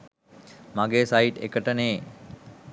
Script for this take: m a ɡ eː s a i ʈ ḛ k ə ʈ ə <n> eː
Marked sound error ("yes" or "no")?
no